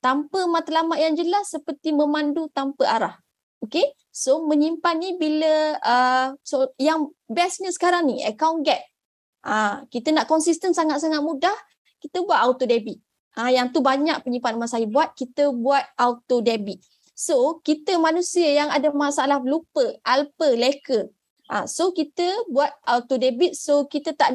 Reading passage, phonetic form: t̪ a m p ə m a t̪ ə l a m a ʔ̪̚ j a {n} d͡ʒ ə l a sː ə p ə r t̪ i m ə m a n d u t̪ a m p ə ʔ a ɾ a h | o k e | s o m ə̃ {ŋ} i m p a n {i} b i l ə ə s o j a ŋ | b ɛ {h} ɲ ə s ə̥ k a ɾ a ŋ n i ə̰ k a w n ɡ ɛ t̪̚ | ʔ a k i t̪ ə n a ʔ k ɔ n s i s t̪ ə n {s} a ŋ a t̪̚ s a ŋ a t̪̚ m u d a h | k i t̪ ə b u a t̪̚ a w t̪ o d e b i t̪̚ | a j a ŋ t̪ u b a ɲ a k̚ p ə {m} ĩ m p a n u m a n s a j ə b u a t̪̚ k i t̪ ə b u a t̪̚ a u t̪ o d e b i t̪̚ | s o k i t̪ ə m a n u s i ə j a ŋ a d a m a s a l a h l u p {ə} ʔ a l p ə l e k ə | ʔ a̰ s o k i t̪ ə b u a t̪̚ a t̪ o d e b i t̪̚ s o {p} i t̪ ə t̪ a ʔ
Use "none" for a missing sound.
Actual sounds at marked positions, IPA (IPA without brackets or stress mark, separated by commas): ŋ, ɲ, i, s, s, ɲ, ə, k